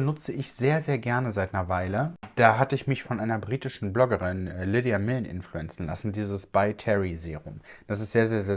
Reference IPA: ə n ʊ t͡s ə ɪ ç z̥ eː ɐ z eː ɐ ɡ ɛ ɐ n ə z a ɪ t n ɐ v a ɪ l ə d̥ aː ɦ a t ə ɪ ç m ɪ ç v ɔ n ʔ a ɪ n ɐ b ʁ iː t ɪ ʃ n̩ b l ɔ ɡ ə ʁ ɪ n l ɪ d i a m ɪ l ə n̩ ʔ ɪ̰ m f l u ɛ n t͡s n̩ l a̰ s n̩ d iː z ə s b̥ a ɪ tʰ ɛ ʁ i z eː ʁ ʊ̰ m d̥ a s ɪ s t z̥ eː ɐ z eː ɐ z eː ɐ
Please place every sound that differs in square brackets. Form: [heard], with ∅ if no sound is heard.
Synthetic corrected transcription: ə n ʊ t͡s ə ɪ ç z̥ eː ɐ z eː ɐ ɡ ɛ ɐ n ə z a ɪ t n ɐ v a ɪ l ə d̥ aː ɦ a t ə ɪ ç m ɪ ç [f] ɔ n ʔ a ɪ n ɐ b ʁ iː t ɪ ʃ n̩ b l ɔ ɡ ə ʁ ɪ n l ɪ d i a m ɪ l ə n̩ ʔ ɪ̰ [n] f l u ɛ n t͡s n̩ l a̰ s n̩ d iː z ə s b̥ a ɪ tʰ ɛ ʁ i z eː ʁ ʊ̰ m d̥ a s ɪ s t z̥ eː ɐ z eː ɐ z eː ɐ